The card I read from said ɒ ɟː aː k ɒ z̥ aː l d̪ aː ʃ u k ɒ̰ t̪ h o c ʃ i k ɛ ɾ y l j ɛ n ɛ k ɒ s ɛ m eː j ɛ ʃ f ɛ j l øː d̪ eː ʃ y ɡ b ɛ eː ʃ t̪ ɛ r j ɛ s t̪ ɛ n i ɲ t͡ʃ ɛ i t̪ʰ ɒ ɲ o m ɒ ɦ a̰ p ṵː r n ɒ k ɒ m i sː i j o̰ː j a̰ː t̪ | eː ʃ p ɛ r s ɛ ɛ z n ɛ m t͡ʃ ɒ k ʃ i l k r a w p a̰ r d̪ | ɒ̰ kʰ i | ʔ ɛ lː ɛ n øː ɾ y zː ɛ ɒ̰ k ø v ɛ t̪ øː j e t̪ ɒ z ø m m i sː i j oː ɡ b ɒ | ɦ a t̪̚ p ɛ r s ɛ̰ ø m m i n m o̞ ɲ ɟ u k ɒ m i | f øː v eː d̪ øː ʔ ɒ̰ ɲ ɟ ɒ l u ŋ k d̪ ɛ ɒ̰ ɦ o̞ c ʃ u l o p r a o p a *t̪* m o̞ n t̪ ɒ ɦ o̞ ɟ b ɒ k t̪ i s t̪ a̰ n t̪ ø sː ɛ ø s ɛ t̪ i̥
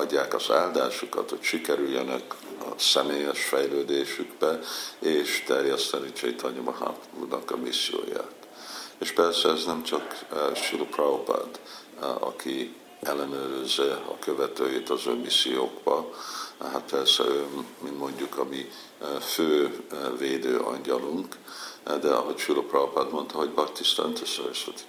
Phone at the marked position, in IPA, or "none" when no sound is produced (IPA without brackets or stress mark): d̪